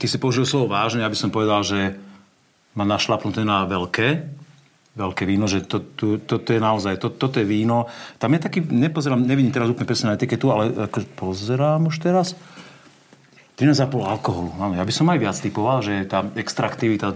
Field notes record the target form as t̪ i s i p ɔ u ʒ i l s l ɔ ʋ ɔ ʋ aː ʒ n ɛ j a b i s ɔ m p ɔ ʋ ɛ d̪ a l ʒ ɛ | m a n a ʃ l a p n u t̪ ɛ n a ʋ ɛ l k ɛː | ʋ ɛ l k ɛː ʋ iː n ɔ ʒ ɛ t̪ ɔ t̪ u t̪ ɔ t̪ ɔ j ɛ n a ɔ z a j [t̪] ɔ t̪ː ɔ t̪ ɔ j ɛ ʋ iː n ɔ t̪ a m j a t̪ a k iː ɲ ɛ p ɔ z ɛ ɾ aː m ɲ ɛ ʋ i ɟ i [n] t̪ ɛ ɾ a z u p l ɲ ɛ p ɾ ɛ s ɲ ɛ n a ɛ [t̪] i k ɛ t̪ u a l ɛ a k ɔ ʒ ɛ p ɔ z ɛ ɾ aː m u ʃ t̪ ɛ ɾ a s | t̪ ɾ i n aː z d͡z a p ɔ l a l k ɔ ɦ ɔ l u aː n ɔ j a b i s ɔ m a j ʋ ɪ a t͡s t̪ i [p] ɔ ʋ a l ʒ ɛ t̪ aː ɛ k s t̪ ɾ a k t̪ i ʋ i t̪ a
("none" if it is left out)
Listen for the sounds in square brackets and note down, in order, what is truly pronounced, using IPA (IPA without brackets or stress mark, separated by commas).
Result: t̪, m, t̪, p